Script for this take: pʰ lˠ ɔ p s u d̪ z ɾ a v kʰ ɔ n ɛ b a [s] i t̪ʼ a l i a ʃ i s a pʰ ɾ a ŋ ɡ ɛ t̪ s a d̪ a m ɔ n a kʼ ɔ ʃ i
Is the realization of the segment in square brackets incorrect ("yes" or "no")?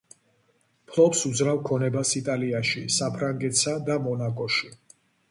no